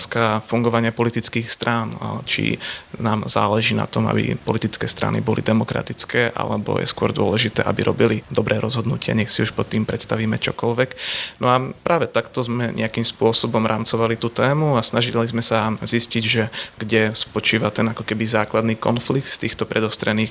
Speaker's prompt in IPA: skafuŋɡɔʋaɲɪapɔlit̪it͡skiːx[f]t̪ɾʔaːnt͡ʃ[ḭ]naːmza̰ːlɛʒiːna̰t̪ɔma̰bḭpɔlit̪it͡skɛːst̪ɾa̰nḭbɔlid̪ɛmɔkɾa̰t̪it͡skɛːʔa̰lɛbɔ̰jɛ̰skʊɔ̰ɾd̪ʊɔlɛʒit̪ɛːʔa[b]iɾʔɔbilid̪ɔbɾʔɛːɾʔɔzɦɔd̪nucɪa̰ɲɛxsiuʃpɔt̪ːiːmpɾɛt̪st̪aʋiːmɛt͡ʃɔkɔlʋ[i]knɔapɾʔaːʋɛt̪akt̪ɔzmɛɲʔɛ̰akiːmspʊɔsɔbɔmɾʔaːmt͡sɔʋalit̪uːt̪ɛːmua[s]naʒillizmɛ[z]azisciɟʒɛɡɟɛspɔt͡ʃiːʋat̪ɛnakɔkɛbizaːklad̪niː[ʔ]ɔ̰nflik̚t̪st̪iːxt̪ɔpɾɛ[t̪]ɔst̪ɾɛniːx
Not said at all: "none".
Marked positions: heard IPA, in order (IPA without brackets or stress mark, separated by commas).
s, ḭ, b, ɛ, s, s, k, d̪